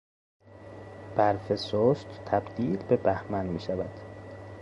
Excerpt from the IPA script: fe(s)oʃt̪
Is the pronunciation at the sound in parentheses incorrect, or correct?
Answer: correct